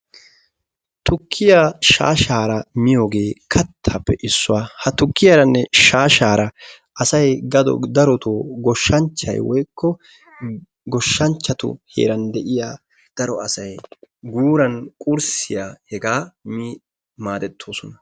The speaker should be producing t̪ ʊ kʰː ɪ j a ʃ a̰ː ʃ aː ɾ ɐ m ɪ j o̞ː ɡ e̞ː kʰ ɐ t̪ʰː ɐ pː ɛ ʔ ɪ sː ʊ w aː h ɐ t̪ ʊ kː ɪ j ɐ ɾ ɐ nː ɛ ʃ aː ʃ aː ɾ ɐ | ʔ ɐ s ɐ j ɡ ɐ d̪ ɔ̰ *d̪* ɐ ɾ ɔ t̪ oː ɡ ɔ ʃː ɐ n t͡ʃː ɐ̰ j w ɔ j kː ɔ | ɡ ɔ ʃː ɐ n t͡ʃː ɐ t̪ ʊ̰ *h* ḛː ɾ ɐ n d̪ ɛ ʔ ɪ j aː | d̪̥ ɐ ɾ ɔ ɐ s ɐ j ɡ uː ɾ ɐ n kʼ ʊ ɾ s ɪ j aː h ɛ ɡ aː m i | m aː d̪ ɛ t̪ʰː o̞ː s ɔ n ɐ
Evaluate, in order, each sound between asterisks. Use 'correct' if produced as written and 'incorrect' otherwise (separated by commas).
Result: correct, correct